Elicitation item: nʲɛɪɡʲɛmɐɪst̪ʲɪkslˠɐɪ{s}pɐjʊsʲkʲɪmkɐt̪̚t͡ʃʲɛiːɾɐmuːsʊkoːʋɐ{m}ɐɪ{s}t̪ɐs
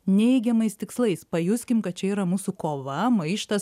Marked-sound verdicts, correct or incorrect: correct, correct, incorrect: ʃ

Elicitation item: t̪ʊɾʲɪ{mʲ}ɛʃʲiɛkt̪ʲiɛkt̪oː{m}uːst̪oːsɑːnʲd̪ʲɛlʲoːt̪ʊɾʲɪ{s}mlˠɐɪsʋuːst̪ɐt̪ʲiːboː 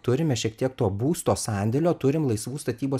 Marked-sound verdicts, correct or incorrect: correct, incorrect: b, incorrect: none

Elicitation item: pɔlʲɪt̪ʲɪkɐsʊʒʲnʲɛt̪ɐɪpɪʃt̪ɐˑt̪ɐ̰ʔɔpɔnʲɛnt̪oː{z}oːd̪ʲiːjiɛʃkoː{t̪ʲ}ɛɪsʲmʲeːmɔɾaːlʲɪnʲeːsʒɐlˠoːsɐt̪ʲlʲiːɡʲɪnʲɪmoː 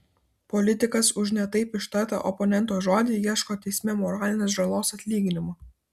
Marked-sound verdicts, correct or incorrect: incorrect: ʒ, correct

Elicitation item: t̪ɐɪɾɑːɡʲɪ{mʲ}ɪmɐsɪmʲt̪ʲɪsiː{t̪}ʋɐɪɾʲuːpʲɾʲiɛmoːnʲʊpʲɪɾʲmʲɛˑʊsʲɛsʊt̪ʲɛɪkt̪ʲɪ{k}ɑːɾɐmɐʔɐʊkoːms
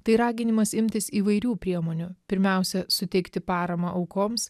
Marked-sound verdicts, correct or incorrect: incorrect: nʲ, incorrect: none, incorrect: p

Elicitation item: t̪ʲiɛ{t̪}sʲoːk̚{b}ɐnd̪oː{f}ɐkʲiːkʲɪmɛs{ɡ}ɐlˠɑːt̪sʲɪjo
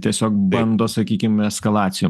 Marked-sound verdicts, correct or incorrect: incorrect: none, correct, incorrect: s, incorrect: k

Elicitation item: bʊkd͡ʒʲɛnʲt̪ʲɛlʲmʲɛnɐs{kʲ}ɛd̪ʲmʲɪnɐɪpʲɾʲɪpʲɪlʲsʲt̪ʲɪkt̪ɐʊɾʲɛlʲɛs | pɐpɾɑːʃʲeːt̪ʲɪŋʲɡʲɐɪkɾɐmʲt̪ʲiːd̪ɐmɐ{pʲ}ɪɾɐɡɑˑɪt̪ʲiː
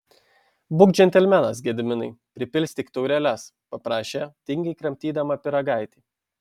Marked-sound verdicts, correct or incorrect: incorrect: ɡʲ, correct

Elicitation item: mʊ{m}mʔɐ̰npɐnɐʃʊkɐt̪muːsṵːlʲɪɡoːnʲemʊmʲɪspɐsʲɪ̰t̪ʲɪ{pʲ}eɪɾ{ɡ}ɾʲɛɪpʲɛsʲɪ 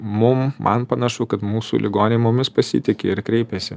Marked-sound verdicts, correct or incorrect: correct, incorrect: kʲ, incorrect: k

